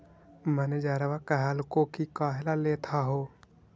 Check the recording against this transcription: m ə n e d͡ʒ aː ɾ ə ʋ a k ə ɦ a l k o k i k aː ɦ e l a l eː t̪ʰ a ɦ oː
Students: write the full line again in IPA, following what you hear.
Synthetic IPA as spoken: m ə n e d͡ʒ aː ɾ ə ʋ a k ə ɦ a l k o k i k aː ɦ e l a l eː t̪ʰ a ɦ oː